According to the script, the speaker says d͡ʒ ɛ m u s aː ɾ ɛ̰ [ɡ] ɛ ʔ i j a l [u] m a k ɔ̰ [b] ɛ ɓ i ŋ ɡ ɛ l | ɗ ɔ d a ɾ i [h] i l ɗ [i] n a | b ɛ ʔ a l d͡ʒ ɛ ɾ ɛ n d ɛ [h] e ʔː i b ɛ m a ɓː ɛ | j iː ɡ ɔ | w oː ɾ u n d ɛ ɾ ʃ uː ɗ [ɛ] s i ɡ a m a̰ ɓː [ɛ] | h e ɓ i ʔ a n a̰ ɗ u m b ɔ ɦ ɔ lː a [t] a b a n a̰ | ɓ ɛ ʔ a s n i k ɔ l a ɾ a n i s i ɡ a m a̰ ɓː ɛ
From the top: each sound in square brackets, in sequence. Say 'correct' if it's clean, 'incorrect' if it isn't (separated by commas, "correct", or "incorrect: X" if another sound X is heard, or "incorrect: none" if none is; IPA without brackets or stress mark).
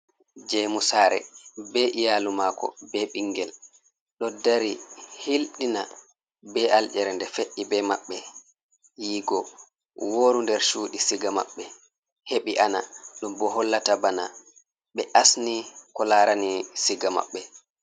incorrect: b, correct, correct, correct, correct, incorrect: f, incorrect: i, correct, correct